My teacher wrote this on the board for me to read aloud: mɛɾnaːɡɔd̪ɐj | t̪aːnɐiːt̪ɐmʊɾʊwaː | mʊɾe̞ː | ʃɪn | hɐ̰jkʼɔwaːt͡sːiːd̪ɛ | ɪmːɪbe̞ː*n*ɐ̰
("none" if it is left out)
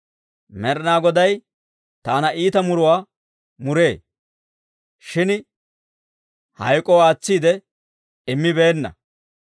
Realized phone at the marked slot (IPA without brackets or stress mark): nː